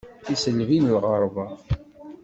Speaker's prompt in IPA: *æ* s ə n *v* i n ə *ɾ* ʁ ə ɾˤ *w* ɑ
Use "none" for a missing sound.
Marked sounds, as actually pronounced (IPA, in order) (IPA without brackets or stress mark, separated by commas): i, v, l, v